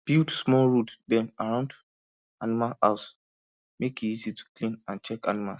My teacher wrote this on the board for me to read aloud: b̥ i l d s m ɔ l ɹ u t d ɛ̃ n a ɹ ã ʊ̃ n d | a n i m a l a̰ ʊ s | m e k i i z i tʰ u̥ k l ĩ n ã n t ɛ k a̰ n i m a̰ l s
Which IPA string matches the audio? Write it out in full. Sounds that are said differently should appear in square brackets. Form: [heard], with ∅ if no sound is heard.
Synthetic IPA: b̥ i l d s m ɔ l ɹ u t d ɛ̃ n a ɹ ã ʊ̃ n d | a n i m a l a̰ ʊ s | m e k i i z i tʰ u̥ k l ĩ n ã n [t͡ʃ] ɛ k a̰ n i m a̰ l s